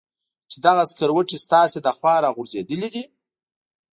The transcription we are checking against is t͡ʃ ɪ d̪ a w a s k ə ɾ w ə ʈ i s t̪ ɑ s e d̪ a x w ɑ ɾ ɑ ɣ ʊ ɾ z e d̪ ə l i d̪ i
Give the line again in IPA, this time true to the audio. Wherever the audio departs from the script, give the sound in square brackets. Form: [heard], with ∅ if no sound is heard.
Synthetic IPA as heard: t͡ʃ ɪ d̪ a [ɣ] a s k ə ɾ w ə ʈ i s t̪ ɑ s e d̪ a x w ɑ ɾ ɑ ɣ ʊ ɾ z e d̪ ə l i d̪ i